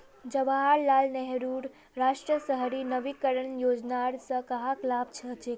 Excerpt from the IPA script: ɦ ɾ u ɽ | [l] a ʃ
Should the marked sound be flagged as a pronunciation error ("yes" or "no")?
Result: yes